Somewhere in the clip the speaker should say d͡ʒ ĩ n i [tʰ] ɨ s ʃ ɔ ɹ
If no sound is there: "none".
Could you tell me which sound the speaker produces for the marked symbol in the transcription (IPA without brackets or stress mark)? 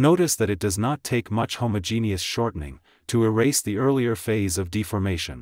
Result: none